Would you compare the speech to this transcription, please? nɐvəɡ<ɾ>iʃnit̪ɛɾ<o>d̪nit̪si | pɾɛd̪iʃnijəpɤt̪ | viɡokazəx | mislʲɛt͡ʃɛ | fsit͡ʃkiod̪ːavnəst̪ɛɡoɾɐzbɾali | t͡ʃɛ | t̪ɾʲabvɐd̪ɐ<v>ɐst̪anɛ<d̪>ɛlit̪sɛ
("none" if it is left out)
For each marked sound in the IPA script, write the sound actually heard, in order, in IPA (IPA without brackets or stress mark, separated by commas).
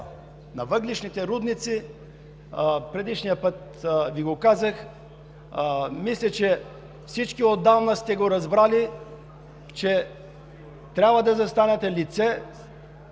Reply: l, u, z, t̪